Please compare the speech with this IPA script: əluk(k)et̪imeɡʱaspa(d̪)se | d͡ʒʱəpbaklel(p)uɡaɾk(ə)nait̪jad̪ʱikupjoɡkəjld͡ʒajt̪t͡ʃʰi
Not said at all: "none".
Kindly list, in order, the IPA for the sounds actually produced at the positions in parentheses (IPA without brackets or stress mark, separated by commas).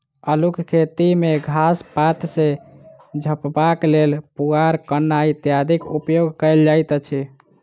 kʰ, t̪, p, ə